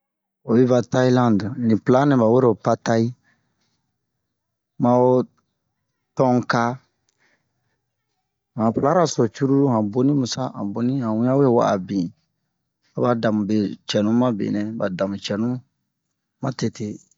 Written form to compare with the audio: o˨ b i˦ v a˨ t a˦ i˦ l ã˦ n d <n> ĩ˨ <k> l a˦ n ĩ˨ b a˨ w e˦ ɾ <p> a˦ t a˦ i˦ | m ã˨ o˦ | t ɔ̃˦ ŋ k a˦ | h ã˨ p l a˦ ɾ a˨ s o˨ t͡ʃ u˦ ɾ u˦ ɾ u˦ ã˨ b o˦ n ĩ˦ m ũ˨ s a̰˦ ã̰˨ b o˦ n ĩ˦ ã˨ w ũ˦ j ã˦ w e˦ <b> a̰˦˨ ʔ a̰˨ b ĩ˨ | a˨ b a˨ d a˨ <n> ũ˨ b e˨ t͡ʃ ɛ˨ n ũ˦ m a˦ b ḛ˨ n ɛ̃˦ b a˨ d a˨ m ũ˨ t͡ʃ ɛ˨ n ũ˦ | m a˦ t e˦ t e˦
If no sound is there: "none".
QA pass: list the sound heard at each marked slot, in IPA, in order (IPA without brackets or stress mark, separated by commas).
n, p, p, w, m